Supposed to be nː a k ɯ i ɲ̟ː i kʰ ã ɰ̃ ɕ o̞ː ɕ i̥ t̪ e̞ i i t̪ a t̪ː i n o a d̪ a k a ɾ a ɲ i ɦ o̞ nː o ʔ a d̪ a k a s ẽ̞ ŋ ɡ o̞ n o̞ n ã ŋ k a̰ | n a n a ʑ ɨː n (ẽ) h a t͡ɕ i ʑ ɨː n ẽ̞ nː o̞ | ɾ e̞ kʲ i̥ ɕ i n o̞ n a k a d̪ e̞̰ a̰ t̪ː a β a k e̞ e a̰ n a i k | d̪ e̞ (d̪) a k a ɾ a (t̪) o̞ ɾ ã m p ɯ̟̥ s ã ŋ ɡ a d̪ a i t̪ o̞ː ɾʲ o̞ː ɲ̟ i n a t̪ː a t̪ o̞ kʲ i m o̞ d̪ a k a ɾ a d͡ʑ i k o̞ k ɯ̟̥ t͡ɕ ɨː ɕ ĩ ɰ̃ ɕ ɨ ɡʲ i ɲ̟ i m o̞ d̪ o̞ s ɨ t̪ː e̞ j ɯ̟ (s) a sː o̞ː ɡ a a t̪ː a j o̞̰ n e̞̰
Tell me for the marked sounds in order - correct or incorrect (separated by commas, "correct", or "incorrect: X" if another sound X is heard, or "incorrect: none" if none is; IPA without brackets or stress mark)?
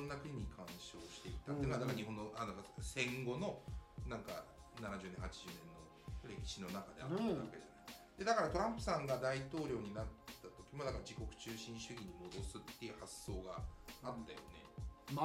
correct, correct, correct, incorrect: h